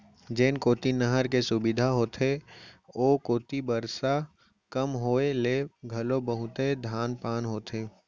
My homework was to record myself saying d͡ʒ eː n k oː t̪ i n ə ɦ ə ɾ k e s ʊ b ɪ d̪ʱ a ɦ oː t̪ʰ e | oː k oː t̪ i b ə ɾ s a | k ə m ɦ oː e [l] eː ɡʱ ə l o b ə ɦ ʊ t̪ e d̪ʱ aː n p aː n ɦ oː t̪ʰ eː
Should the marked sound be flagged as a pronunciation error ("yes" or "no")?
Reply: no